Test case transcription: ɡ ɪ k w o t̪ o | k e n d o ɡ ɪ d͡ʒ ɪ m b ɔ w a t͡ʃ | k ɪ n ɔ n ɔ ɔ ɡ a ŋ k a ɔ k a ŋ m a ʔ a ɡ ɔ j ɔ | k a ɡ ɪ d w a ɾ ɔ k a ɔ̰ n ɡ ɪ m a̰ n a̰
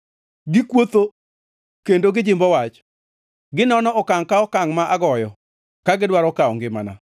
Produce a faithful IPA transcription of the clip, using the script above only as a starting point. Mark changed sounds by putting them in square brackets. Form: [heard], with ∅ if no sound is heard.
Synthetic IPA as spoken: ɡ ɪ k w o t̪ o | k e n d o ɡ ɪ d͡ʒ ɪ m b ɔ w a t͡ʃ | [ɡ] ɪ n ɔ n ɔ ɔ [k] a ŋ k a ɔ k a ŋ m a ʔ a ɡ ɔ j ɔ | k a ɡ ɪ d w a ɾ ɔ k a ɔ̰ [ŋ] ɡ ɪ m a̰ n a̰